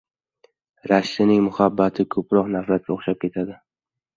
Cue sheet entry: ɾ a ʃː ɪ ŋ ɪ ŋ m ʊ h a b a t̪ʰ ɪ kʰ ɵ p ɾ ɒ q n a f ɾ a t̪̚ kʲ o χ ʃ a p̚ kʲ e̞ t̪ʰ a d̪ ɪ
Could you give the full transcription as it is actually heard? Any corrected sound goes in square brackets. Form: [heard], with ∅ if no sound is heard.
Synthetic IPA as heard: ɾ a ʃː ɪ [n] ɪ ŋ m ʊ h a [bː] a t̪ʰ ɪ kʰ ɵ p ɾ ɒ q n a f ɾ a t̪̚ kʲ o χ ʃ a p̚ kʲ e̞ t̪ʰ a d̪ ɪ